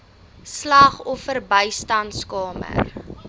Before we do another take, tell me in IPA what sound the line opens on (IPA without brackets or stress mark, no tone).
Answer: s